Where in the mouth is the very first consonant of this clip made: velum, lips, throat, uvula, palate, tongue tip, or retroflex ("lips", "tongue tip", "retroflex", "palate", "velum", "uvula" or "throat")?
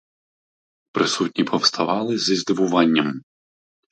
lips